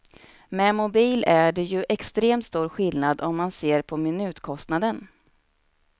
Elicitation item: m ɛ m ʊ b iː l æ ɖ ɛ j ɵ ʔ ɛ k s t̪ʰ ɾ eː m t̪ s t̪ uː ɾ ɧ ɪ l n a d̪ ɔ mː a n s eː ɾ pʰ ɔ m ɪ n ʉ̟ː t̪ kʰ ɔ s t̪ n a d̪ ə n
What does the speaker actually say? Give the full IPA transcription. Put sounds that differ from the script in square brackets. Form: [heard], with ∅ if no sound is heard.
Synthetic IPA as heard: m ɛ m ʊ b iː l æ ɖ ɛ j ɵ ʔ ɛ k s [t̪] ɾ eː m t̪ s t̪ uː ɾ ɧ ɪ l n a d̪ ɔ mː a n s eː ɾ pʰ ɔ m ɪ n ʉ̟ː t̪ kʰ ɔ s t̪ n a d̪ ə n